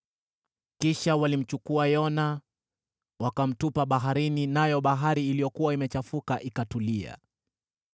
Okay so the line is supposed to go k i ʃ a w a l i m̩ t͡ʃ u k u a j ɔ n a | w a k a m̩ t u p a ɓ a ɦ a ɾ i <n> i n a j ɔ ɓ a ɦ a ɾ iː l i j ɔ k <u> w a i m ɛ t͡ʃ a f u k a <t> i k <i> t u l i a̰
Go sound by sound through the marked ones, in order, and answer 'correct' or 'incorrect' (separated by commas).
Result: correct, correct, incorrect, incorrect